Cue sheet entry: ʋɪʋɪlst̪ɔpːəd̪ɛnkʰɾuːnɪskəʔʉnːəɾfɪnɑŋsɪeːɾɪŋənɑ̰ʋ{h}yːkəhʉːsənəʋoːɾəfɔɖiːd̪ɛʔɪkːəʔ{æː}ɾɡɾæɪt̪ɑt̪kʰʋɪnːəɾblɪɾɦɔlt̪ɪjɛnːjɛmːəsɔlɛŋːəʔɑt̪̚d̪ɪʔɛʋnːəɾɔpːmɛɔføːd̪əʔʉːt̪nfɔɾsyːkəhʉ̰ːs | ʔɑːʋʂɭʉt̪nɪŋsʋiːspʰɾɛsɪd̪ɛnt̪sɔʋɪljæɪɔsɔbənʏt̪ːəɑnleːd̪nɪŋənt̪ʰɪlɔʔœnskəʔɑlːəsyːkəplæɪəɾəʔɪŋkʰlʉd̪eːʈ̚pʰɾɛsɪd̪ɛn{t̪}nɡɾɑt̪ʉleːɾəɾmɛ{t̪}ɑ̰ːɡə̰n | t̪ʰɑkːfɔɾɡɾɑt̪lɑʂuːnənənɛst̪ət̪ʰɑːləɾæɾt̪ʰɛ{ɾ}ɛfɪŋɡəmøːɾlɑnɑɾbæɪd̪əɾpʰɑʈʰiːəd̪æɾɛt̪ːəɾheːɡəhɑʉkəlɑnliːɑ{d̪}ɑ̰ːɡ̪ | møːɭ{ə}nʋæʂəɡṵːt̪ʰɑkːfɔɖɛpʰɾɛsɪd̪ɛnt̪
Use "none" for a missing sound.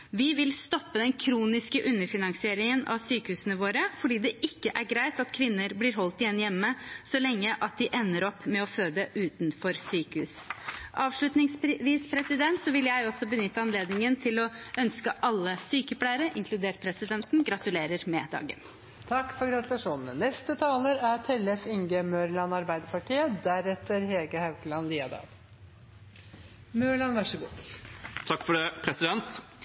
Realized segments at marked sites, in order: s, æ, t̪, d̪, l, d̪, ɑ

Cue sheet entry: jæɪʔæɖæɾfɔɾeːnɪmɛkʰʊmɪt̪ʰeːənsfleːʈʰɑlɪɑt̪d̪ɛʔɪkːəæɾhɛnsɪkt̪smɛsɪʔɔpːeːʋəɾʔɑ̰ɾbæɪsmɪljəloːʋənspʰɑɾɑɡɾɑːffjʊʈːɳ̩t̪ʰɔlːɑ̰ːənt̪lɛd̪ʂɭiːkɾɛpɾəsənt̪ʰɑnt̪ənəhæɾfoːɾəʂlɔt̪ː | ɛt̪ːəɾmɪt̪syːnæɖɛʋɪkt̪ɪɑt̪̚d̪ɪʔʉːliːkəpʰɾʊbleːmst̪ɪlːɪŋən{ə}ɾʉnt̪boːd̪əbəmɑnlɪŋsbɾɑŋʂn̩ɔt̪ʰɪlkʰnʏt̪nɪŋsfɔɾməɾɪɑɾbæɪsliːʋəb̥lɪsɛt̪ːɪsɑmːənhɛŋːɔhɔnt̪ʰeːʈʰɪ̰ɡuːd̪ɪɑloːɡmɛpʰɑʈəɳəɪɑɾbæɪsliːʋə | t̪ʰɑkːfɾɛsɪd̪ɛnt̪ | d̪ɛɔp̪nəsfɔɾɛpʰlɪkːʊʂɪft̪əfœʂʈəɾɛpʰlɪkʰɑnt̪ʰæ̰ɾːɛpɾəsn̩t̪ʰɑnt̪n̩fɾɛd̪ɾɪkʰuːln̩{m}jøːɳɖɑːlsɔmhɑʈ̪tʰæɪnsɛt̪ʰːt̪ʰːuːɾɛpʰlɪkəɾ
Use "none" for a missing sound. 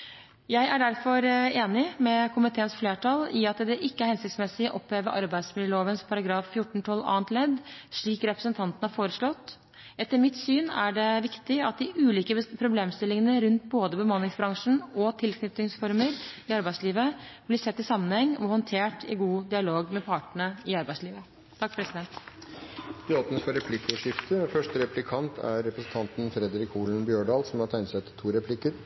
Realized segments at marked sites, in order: ə, b

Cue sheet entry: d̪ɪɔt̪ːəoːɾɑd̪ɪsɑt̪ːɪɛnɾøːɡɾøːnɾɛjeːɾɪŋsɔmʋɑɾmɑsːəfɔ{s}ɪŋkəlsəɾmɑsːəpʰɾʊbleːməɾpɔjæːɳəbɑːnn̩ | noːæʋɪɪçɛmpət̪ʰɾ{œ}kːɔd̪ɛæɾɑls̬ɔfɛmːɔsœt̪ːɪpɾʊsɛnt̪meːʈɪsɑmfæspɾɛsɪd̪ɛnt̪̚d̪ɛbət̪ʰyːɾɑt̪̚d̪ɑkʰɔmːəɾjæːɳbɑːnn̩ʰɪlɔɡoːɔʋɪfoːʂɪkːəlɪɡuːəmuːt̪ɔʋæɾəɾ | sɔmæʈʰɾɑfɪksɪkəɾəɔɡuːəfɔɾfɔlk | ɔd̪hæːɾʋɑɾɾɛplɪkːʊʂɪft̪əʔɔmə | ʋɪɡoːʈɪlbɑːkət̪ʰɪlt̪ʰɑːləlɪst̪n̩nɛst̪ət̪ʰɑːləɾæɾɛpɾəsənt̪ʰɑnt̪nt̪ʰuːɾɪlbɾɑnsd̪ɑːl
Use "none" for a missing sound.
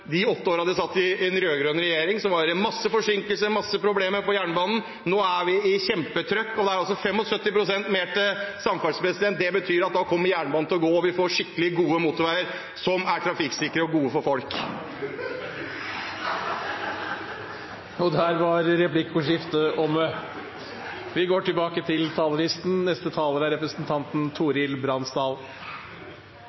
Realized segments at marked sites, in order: ʂ, œ

